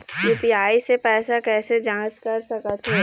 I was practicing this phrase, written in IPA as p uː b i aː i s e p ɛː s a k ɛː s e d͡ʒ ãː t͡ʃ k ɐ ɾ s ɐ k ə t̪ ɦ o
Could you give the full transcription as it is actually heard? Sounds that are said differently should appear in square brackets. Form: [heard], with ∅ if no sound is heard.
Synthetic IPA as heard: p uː [p] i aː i s e p ɛː s a k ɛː s e d͡ʒ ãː t͡ʃ k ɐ ɾ s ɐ k ə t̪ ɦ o